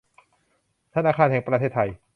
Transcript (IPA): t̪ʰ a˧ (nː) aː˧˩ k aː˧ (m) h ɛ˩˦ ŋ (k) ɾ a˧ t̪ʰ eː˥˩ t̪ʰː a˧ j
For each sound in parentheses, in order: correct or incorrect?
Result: incorrect: n, incorrect: n, incorrect: p

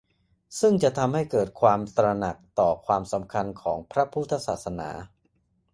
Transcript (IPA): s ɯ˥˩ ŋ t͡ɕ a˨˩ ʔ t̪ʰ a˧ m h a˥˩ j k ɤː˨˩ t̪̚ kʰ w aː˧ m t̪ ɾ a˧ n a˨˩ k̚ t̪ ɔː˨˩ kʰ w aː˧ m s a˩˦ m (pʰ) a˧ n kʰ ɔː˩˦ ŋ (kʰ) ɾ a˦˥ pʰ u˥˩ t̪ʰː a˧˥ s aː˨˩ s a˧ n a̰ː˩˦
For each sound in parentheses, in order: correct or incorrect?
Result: incorrect: kʰ, incorrect: pʰ

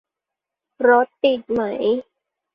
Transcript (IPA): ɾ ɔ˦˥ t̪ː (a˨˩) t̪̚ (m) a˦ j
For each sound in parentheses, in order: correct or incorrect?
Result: incorrect: i˨˩, correct

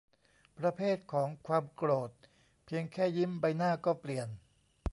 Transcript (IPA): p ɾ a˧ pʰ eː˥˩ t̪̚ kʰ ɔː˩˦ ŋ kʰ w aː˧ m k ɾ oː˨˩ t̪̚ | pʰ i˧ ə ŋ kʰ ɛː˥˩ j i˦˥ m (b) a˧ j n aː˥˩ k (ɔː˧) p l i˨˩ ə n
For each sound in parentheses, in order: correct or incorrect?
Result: correct, incorrect: ɔː˥˩

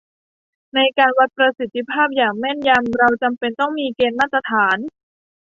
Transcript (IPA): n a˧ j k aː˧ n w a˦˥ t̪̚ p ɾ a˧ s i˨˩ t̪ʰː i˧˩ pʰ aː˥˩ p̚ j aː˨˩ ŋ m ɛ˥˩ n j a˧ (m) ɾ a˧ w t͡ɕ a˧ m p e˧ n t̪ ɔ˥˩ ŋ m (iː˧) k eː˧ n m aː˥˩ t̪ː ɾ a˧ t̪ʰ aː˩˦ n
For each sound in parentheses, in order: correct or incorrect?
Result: correct, correct

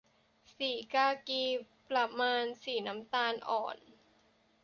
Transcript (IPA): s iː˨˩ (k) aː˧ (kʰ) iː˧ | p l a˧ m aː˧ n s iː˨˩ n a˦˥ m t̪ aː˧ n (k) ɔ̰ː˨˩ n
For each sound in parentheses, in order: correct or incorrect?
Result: correct, incorrect: k, incorrect: ʔ

